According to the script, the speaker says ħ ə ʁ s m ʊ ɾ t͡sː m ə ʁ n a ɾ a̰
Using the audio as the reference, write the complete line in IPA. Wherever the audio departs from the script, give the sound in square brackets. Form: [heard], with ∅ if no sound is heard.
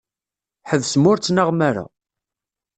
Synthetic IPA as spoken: ħ ə [ð] s m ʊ ɾ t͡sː [n] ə ʁ [m] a ɾ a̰